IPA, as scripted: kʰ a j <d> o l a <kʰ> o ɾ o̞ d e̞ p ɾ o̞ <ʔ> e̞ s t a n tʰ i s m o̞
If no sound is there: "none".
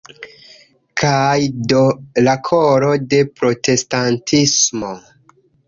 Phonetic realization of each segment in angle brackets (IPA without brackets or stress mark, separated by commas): d, kʰ, t